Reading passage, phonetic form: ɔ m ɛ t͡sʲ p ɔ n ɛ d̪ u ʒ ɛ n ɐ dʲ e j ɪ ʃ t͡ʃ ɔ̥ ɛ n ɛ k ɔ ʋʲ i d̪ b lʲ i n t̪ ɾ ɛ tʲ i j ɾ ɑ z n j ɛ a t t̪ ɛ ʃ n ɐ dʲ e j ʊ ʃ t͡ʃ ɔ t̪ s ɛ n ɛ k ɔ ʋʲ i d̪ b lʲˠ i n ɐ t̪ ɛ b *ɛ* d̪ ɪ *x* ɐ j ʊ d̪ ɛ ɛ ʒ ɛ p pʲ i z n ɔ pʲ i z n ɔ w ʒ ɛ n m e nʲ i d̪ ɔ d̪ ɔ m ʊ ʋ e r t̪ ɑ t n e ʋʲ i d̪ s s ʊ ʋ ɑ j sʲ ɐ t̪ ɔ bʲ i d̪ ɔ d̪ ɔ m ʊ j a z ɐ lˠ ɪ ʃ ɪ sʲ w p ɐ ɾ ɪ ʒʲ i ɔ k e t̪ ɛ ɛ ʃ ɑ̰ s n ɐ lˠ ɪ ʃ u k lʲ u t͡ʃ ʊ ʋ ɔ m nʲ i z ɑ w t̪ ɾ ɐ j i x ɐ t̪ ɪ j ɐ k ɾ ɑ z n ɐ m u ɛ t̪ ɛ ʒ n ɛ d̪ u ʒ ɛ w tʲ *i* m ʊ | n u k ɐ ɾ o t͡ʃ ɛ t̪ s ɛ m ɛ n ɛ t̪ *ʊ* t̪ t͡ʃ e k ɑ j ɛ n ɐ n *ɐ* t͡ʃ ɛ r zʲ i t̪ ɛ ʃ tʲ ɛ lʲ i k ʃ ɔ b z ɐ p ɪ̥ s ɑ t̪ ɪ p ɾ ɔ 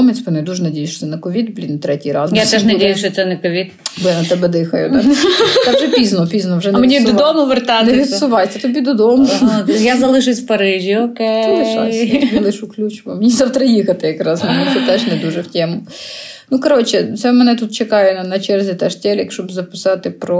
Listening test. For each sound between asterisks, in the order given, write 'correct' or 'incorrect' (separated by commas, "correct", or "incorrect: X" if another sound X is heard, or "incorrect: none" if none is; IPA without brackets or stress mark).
correct, correct, incorrect: ɛ, incorrect: u, correct